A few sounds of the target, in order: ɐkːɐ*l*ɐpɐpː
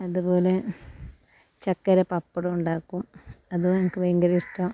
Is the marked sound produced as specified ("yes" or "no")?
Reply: no